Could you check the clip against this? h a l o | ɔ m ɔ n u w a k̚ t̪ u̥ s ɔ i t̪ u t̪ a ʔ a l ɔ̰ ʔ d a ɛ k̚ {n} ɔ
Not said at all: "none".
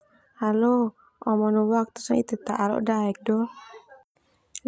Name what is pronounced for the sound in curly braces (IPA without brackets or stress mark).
d